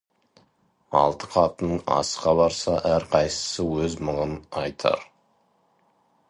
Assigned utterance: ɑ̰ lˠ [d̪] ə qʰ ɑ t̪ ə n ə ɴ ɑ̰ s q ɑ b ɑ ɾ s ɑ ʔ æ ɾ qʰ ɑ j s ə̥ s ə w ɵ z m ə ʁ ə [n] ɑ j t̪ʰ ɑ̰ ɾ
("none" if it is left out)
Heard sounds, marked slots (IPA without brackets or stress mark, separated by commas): t̪, n